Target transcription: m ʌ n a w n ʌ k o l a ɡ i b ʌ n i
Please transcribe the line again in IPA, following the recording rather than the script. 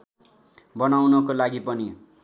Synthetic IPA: b ʌ n a w n ʌ k o l a ɡ i p ʌ n i